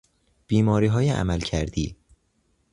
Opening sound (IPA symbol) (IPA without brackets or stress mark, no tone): b̥